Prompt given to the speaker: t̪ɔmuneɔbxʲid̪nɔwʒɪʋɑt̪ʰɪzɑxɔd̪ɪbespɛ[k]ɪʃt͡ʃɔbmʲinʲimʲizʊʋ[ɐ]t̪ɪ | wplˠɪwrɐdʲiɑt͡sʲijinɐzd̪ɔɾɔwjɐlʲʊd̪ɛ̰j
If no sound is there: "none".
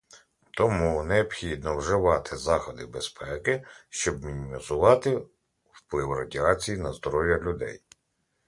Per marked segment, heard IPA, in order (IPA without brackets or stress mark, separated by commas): k, ɑ